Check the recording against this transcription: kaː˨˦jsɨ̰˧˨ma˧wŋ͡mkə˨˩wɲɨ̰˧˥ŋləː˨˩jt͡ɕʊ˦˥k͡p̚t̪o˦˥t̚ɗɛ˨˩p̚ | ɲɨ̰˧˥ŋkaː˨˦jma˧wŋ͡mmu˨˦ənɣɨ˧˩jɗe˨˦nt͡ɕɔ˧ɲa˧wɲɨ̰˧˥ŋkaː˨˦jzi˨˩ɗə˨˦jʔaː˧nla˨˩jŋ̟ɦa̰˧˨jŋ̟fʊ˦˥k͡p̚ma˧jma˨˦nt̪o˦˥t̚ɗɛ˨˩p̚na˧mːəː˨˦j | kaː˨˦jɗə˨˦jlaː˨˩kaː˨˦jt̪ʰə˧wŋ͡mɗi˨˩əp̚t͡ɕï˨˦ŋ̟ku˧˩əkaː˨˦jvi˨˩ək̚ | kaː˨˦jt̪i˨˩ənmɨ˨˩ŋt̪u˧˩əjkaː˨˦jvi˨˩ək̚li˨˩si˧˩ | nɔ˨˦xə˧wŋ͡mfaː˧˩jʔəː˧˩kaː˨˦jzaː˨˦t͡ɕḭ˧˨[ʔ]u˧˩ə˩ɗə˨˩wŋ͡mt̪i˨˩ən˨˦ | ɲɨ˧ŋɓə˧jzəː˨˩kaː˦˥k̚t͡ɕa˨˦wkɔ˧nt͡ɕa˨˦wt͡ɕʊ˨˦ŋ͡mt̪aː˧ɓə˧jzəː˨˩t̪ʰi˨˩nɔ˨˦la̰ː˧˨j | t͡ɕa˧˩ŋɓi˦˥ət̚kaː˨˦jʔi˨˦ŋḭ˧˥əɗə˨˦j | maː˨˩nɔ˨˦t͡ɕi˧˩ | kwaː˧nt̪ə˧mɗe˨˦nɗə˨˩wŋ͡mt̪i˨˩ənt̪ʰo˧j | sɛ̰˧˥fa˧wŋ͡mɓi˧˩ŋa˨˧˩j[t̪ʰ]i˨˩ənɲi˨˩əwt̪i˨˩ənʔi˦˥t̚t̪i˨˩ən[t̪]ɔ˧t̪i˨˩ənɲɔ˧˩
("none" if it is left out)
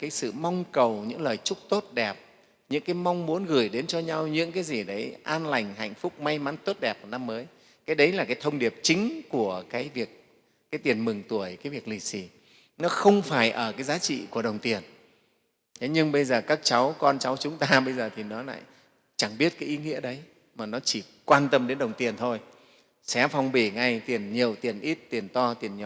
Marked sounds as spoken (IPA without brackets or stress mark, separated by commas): k, t̪, t̪